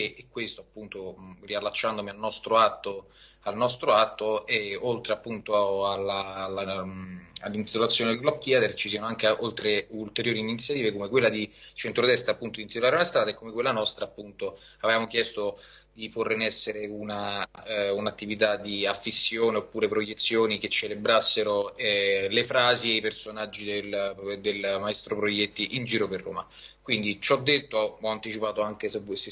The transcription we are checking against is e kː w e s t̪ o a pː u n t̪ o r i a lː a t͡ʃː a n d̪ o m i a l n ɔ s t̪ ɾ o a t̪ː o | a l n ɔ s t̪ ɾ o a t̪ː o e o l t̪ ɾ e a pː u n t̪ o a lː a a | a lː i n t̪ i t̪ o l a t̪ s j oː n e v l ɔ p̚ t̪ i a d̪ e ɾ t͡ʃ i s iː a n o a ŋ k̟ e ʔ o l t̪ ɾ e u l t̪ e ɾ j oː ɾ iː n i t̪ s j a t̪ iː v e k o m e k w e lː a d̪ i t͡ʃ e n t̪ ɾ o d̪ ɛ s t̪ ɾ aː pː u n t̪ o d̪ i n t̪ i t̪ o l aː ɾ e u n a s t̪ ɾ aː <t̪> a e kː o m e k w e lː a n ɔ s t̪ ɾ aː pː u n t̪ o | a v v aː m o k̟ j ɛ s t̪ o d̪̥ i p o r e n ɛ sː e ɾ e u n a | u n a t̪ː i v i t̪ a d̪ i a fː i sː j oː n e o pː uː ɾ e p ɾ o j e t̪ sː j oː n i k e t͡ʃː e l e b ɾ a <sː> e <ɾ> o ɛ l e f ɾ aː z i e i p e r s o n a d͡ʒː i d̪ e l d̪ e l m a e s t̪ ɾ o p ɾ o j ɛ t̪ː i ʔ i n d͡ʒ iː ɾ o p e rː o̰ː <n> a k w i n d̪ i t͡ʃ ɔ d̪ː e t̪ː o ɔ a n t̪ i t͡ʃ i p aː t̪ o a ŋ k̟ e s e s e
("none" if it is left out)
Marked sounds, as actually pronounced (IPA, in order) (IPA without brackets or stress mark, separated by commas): d̪, sː, ɾ, m